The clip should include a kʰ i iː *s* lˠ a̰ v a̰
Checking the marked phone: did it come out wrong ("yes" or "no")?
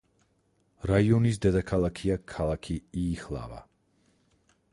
yes